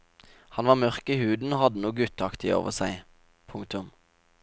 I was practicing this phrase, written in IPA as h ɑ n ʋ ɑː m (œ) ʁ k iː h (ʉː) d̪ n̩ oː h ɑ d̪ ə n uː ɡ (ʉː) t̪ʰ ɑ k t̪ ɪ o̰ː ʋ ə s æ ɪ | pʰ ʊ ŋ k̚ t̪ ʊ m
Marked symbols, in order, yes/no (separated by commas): yes, yes, no